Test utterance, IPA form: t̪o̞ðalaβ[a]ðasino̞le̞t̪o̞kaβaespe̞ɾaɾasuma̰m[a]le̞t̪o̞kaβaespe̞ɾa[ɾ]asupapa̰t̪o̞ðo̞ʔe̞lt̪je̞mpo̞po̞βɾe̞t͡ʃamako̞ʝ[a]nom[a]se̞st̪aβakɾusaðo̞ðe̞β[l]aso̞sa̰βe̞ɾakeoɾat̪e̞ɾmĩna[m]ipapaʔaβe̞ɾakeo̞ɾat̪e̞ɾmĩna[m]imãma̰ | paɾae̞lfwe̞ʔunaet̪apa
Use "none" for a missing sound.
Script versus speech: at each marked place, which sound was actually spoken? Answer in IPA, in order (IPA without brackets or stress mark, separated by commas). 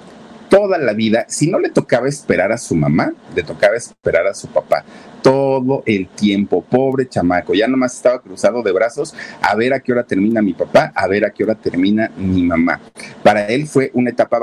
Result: i, a, ɾ, a, a, ɾ, m, m